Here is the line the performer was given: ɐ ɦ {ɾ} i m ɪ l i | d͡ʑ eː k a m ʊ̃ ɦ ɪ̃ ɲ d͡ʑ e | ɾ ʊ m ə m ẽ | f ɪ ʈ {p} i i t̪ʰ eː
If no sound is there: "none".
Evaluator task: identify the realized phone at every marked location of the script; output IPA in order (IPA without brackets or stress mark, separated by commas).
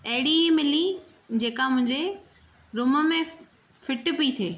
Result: ɽ, p